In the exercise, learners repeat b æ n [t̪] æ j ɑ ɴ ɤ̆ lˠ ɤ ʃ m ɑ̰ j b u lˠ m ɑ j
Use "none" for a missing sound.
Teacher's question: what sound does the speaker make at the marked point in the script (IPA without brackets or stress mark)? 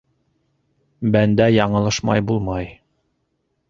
d̪